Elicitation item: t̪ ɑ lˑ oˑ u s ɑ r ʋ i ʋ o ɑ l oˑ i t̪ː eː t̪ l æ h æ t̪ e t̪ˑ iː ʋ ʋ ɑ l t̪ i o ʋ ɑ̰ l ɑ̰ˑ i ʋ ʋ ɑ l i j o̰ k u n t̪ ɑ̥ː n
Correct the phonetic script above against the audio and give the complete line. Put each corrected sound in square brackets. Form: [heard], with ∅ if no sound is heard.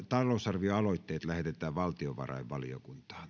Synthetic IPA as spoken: t̪ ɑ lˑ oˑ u s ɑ r ʋ i [∅] o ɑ l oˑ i t̪ː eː t̪ l æ h [e] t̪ e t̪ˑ [æː] ʋ ʋ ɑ l t̪ i o ʋ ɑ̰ [r] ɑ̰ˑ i ʋ ʋ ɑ l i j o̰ k u n t̪ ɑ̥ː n